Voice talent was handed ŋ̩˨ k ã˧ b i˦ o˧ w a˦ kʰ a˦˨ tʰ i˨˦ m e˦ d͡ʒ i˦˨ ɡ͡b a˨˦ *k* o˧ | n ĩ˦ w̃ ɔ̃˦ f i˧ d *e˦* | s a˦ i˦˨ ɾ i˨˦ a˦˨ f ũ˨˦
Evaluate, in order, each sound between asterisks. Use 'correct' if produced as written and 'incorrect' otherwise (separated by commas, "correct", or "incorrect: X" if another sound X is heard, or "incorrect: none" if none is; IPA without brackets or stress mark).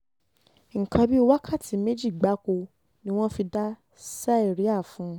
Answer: correct, incorrect: a˦